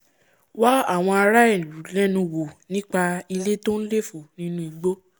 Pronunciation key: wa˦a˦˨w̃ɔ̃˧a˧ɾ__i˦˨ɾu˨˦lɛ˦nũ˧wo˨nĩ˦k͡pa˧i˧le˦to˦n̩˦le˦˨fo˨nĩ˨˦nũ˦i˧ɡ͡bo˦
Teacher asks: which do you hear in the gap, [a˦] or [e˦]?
a˦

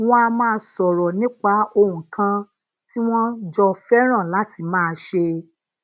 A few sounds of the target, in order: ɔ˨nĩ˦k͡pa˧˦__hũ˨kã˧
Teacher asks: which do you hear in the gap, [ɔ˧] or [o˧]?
o˧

